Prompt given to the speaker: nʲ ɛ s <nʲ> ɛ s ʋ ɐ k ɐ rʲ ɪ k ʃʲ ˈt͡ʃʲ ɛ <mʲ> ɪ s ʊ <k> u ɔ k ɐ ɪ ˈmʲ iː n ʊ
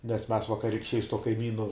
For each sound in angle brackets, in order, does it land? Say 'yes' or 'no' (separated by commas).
no, no, no